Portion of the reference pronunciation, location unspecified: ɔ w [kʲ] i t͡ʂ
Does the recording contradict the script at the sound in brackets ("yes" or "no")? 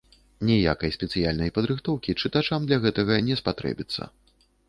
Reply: no